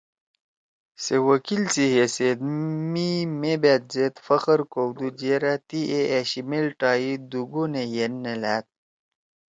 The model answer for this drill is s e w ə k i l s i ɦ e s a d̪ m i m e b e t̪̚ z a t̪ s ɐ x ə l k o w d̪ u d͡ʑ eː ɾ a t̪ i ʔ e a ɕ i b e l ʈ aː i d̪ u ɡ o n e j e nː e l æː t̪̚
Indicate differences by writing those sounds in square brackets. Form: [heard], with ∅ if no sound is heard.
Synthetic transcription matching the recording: s e w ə k i l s i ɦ e s [e] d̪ m i m e b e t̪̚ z [e] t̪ [f] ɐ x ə [ɾ] k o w d̪ u d͡ʑ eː ɾ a t̪ i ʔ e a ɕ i [m] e l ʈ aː i d̪ u ɡ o n e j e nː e l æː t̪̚